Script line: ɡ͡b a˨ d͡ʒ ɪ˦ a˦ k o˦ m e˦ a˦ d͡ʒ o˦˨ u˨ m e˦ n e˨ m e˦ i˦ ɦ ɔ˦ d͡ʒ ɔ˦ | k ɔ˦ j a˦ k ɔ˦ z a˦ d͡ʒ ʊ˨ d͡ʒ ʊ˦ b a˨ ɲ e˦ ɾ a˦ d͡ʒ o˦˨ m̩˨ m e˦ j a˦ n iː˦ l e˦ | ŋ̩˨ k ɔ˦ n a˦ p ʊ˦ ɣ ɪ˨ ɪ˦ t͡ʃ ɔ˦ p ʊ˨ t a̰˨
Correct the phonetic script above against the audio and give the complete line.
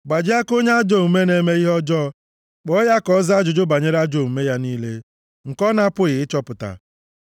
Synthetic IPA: ɡ͡b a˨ d͡ʒ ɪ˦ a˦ k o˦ ɲ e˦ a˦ d͡ʒ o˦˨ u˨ m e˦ n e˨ m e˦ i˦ ɦ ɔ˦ d͡ʒ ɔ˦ | k͡p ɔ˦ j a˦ k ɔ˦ z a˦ d͡ʒ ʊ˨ d͡ʒ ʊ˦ b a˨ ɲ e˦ ɾ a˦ d͡ʒ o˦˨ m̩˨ m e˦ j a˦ n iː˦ l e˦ | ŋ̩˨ k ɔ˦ n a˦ p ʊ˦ ɣ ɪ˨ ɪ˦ t͡ʃ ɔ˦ p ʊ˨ t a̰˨

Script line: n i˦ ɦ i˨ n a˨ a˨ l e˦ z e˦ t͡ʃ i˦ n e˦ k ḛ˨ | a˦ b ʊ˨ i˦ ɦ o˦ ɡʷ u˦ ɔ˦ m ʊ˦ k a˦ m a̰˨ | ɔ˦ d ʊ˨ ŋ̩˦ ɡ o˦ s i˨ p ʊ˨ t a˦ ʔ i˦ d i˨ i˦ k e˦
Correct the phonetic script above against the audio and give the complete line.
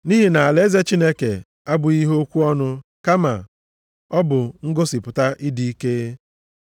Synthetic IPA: n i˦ ɦ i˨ n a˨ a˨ l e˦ z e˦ t͡ʃ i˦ n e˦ k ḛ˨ | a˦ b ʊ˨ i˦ ɦ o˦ kʷ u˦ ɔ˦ n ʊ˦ k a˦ m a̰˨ | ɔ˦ b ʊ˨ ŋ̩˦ ɡ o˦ s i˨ p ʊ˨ t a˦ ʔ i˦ d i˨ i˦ k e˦

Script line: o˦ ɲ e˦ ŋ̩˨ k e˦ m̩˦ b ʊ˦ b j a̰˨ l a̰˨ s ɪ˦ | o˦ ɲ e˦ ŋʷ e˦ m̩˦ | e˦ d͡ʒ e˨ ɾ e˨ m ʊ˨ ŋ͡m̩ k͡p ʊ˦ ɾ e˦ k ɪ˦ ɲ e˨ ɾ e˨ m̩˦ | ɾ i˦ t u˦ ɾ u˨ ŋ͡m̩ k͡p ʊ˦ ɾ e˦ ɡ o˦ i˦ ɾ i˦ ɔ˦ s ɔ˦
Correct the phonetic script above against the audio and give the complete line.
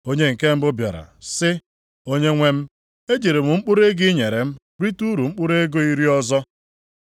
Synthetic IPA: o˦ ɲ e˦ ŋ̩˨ k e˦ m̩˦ b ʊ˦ b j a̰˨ ɾ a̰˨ s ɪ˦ | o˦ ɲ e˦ ŋʷ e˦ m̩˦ | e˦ d͡ʒ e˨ ɾ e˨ m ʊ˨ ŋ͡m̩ k͡p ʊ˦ ɾ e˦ ɡ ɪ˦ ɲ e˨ ɾ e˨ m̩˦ | ɾ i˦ t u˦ ɾ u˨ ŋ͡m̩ k͡p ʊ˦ ɾ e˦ ɡ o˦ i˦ ɾ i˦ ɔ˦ z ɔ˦

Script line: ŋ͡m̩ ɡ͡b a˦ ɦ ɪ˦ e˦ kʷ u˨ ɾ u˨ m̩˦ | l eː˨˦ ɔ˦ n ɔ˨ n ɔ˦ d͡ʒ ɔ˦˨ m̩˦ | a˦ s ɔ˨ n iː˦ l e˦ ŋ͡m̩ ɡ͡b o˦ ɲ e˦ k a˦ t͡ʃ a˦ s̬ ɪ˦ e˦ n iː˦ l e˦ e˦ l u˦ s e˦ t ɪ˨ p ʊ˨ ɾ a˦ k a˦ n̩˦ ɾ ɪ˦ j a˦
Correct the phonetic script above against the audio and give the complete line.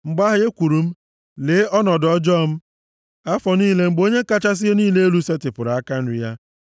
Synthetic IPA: ŋ͡m̩ ɡ͡b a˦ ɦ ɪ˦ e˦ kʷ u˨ ɾ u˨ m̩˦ | l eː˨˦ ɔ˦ n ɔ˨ d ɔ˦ d͡ʒ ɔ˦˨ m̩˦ | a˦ f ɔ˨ n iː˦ l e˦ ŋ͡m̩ ɡ͡b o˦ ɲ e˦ k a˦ t͡ʃ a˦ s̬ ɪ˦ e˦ n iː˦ l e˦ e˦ l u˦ s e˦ t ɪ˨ p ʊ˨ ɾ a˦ k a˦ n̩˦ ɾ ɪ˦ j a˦

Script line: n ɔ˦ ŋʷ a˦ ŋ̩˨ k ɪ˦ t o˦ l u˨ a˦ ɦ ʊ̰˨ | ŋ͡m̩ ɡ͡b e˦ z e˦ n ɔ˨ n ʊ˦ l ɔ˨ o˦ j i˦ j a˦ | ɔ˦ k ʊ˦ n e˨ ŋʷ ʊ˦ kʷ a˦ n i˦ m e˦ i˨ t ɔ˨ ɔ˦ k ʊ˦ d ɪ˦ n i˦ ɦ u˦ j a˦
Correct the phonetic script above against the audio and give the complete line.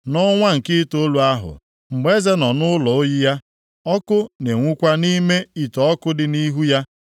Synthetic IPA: n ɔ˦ ŋʷ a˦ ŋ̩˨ k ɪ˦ t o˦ l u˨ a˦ ɦ ʊ̰˨ | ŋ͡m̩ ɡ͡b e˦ z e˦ n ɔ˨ n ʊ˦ l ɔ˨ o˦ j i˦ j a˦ | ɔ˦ k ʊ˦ n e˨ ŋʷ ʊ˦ kʷ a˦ n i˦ m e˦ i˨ t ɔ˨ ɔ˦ k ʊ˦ d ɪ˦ n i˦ ɦ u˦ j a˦

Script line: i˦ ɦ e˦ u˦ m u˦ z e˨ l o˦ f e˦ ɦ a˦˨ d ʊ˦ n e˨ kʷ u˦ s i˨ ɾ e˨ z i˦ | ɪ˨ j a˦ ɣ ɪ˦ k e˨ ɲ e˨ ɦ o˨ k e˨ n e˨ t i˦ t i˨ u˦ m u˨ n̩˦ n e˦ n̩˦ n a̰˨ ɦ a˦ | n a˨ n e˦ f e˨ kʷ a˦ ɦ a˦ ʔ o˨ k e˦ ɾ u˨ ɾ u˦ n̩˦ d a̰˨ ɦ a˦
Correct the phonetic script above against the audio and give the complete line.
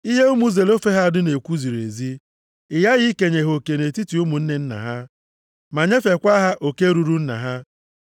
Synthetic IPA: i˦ ɦ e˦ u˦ m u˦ z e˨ l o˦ f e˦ ɦ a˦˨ d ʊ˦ n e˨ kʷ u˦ z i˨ ɾ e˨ z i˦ | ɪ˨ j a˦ ɣ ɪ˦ k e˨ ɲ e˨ ɦ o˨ k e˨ n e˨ t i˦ t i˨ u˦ m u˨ n̩˦ n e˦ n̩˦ n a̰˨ ɦ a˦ | m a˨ ɲ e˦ f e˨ kʷ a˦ ɦ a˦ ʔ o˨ k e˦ ɾ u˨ ɾ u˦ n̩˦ n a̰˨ ɦ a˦

